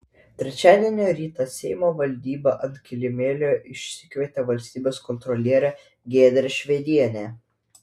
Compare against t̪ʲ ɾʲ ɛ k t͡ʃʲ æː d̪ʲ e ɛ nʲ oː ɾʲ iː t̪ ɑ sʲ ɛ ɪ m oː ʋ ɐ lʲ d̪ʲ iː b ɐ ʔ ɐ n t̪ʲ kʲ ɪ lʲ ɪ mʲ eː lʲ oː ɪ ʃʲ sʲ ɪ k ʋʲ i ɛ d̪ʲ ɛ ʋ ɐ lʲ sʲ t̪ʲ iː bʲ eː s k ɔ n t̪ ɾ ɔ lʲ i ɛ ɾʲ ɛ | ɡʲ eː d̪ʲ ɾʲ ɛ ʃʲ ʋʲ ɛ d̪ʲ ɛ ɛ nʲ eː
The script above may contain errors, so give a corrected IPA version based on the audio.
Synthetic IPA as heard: t̪ʲ ɾʲ ɛ t͡ʃʲ æː d̪ʲ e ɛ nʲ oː ɾʲ iː t̪ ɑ sʲ ɛ ɪ m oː ʋ ɐ lʲ d̪ʲ iː b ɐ ʔ ɐ n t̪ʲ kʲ ɪ lʲ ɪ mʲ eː lʲ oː ɪ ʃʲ sʲ ɪ k ʋʲ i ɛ t̪ʲ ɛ ʋ ɐ lʲ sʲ t̪ʲ iː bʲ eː s k ɔ n t̪ ɾ ɔ lʲ i ɛ ɾʲ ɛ | ɡʲ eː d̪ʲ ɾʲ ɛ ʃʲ ʋʲ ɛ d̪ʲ i ɛ nʲ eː